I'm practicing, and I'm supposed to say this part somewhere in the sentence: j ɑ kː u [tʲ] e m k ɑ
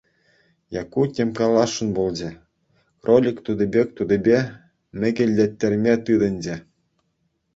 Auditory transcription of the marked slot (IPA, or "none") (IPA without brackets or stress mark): tʲ